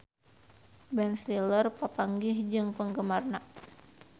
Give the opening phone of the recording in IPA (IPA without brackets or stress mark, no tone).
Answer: b